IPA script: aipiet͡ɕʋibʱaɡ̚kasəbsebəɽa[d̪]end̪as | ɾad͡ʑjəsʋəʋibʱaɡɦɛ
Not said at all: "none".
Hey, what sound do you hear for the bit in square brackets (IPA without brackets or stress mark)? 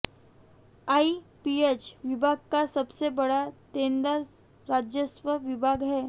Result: t̪